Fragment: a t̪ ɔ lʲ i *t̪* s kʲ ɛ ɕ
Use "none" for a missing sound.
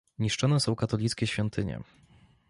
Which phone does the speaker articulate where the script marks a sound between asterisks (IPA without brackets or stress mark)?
t̪